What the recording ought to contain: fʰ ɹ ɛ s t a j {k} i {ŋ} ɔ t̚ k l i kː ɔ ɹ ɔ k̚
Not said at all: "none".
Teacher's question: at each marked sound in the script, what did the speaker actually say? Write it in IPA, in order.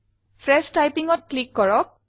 p, ŋ

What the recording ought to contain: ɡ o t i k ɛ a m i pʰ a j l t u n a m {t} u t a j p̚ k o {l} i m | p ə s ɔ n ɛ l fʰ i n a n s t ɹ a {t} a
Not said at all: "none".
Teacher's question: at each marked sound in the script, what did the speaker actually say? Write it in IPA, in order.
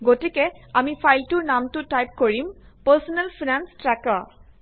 t, ɹ, k

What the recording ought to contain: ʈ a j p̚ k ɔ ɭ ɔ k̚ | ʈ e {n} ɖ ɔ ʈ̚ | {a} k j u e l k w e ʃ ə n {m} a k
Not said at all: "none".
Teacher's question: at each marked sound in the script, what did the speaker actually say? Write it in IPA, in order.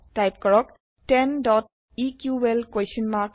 n, i, m

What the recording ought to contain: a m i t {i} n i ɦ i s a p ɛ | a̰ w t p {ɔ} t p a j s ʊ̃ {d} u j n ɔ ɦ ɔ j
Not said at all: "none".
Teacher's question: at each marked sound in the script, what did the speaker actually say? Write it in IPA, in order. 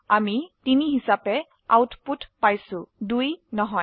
i, u, d

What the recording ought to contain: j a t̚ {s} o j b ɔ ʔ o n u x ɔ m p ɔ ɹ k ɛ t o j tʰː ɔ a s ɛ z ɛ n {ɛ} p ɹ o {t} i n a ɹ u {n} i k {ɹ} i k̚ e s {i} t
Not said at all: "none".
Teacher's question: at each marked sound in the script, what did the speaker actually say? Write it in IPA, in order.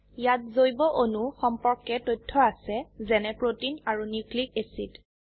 z, ɛ, t, n, l, i

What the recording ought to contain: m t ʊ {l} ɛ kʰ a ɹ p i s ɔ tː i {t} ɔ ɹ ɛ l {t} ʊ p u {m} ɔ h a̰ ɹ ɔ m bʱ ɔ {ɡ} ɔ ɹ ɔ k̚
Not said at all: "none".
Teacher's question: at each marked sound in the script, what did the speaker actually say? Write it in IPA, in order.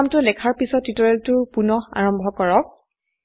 l, t, t, n, k

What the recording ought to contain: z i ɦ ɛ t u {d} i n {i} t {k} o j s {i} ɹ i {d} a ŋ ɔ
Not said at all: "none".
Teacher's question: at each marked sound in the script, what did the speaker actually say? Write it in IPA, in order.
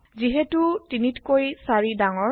t, i, k, a, d

